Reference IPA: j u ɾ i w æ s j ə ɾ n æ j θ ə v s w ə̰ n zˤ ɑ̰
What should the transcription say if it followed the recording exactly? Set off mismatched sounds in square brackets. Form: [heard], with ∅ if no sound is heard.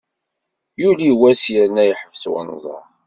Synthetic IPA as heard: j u [l] i w æ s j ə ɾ n æ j [ħ] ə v s w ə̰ n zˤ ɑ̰